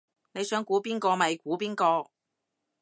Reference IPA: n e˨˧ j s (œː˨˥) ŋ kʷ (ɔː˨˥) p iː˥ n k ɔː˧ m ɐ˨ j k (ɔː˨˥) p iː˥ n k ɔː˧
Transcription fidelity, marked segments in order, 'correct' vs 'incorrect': correct, incorrect, incorrect

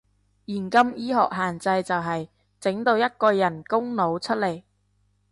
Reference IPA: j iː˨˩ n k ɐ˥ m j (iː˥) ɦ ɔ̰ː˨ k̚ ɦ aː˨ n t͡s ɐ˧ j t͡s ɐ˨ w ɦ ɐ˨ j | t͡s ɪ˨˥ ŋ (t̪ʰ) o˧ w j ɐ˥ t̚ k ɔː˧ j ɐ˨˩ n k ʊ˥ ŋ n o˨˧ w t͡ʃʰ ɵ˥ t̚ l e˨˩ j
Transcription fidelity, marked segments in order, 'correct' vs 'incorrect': correct, incorrect

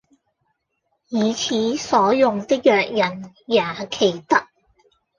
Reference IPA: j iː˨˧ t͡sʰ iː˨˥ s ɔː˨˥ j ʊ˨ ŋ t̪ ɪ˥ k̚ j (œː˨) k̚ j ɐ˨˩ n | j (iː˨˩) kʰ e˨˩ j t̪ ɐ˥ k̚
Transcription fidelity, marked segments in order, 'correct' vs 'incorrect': correct, incorrect

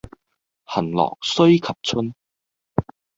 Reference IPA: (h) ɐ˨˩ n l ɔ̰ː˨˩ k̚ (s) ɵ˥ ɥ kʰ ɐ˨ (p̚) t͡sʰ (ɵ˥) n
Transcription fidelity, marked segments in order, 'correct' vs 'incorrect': correct, correct, correct, correct

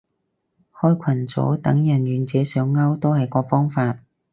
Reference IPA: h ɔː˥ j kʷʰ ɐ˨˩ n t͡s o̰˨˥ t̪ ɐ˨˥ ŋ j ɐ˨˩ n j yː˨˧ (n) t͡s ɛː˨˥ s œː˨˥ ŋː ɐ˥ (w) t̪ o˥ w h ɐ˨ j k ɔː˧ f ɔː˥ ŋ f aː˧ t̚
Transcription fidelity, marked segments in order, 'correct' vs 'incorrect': correct, correct

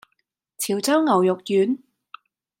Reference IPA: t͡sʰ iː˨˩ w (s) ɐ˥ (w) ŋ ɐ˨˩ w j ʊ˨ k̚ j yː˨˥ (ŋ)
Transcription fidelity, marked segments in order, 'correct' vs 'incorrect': incorrect, correct, incorrect

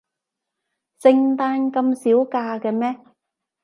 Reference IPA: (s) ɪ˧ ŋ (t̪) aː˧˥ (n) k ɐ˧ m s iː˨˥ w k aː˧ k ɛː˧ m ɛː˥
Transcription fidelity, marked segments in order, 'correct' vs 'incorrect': correct, correct, correct

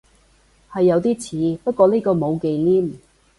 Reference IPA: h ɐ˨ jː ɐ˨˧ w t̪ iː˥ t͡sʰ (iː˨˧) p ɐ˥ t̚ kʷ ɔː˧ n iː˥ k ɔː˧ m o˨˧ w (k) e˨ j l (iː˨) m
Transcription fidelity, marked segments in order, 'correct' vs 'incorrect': correct, correct, incorrect

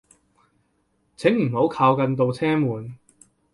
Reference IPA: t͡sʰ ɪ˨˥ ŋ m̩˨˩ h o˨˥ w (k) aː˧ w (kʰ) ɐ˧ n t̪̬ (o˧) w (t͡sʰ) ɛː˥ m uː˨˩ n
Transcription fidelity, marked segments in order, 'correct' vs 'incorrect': incorrect, incorrect, correct, correct

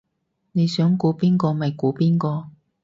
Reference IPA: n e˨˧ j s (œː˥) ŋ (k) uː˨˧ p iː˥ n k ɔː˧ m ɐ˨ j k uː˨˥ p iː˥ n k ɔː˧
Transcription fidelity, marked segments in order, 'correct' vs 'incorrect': incorrect, correct

